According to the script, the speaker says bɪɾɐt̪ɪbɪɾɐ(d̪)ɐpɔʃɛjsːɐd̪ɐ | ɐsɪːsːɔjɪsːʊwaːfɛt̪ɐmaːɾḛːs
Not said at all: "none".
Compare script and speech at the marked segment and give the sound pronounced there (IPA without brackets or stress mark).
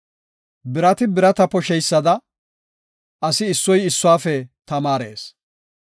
t̪